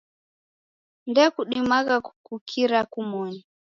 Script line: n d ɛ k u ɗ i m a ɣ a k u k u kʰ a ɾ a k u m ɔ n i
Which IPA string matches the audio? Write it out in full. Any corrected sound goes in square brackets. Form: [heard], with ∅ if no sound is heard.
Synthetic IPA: n d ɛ k u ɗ i m a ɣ a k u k u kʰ [i] ɾ a k u m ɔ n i